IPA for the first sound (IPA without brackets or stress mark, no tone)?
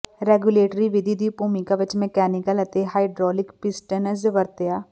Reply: ɾ